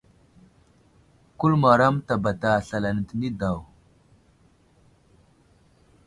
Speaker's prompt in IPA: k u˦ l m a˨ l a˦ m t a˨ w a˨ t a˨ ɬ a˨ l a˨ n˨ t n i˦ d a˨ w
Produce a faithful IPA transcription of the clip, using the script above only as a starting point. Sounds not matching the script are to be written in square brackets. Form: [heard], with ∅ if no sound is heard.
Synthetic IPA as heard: k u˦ l m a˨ [ɾ] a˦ m t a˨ [b] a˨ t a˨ ɬ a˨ l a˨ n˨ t n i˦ d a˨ w